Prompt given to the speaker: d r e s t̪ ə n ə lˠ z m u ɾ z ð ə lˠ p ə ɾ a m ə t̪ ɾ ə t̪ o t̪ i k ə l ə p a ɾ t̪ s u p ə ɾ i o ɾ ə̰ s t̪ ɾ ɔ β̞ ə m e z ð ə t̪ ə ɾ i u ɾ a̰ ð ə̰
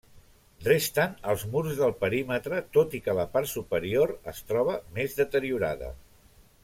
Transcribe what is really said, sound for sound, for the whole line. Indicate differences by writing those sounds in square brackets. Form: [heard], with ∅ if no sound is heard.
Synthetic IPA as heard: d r e s t̪ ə n ə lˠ z m u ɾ z ð ə lˠ p ə ɾ [i] m ə t̪ ɾ ə t̪ o t̪ i k ə l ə p a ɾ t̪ s u p ə ɾ i o ɾ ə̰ s t̪ ɾ ɔ β̞ ə m e z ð ə t̪ ə ɾ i u ɾ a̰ ð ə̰